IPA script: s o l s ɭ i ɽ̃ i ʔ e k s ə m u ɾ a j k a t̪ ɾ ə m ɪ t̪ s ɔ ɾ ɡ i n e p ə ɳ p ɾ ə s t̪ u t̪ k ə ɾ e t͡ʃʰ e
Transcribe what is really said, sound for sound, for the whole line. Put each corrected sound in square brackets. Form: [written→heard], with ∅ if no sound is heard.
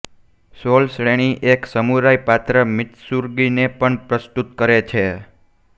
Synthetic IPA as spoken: s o l s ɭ [i→e] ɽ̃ i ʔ e k s ə m u ɾ a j [k→p] a t̪ ɾ ə m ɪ t̪ s [ɔ→u] ɾ ɡ i n e p ə ɳ p ɾ ə s t̪ u t̪ k ə ɾ e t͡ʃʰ e